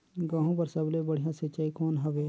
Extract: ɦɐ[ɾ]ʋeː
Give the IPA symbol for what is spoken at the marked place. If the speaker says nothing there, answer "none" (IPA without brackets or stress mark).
none